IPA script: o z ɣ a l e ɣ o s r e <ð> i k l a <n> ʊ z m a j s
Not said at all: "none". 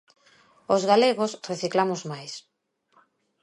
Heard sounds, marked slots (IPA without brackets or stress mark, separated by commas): θ, m